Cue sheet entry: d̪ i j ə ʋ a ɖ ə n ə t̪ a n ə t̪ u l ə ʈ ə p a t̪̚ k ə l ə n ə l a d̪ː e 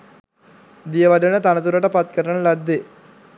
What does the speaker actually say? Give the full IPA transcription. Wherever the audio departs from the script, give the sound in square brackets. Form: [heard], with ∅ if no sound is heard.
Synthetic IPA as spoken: d̪ i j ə ʋ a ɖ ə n ə t̪ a n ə t̪ u [ɾ] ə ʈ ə p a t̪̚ k ə [ɾ] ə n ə l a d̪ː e